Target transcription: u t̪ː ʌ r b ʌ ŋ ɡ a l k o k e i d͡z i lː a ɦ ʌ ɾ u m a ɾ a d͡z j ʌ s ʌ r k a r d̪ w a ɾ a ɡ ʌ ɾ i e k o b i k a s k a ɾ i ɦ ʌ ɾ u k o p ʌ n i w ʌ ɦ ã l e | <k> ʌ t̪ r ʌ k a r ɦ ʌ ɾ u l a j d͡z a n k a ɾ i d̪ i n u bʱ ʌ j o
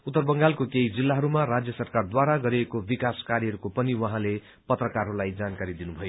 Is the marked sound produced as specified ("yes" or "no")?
no